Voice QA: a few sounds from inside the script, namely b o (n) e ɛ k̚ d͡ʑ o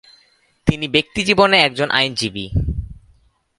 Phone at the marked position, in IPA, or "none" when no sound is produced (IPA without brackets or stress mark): n